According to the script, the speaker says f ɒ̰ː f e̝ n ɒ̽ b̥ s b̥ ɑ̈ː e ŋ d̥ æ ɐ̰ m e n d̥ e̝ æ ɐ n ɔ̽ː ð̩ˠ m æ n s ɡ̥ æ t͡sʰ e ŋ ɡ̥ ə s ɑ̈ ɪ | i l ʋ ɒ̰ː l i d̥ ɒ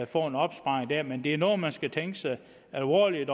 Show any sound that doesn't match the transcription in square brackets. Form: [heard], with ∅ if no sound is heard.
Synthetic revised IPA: f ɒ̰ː [∅] e̝ n ɒ̽ b̥ s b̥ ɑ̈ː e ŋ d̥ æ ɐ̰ m e n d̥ e̝ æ ɐ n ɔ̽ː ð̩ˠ m æ n s ɡ̥ æ t͡sʰ e ŋ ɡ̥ ə s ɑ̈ ɪ | [æ] l ʋ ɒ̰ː l i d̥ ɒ